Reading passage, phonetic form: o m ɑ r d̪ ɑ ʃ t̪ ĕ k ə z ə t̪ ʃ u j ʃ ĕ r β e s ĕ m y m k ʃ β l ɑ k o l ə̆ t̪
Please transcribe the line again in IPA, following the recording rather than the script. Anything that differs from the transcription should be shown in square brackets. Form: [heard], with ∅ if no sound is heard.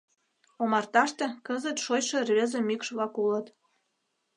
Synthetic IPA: o m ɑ r [t̪] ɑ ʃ t̪ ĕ k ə z ə t̪ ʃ [o] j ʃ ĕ r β e [z] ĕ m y [∅] k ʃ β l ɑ k [u] l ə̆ t̪